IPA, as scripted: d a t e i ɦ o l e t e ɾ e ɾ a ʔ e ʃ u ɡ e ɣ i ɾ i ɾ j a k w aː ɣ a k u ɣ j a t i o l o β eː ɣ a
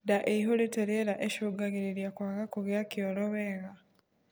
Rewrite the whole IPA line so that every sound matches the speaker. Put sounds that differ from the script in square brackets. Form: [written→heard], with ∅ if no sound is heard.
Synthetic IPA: d a [t→ʔ] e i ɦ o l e t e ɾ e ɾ a ʔ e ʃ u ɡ [e→a] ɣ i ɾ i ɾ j a k w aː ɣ a k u ɣ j a [t→k] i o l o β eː ɣ a